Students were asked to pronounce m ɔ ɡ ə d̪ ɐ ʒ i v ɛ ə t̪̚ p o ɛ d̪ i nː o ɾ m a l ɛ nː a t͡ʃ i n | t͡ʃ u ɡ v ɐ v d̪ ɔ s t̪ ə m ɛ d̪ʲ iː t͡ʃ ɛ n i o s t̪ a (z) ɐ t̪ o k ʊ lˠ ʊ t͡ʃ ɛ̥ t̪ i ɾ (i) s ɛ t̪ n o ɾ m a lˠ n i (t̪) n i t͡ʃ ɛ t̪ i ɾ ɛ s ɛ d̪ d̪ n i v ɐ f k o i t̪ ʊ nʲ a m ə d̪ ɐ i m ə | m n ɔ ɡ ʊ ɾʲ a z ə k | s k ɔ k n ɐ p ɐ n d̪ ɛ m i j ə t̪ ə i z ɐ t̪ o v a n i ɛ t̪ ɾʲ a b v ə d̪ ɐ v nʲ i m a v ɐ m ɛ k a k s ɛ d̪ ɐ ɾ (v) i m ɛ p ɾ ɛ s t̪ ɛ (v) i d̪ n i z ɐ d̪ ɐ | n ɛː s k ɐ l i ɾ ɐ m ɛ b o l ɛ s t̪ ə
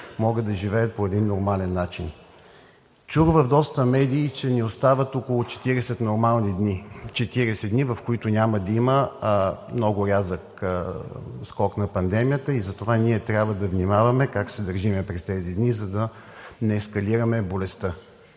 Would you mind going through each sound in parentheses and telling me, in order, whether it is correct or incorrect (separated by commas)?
incorrect, incorrect, incorrect, incorrect, incorrect